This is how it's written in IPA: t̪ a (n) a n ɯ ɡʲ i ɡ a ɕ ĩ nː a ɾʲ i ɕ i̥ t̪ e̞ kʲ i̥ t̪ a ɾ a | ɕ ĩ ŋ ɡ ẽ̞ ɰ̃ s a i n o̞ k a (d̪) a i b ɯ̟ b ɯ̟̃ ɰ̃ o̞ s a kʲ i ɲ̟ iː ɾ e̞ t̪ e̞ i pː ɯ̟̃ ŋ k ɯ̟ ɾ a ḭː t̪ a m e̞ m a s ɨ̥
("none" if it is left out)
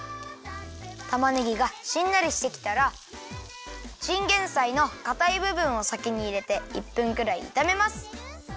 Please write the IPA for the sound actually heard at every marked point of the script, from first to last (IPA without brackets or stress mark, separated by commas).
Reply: m, t̪